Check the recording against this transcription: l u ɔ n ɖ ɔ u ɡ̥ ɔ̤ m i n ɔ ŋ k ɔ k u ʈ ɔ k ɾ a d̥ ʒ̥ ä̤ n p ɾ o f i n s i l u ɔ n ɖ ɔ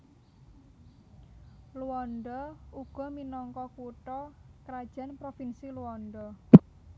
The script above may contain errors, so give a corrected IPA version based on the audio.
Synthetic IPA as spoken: l u ɔ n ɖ ɔ u ɡ̥ ɔ̤ m i n ɔ ŋ k ɔ k u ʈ ɔ k ɾ a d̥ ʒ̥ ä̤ n p ɾ o f i n s i l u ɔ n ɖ ɔ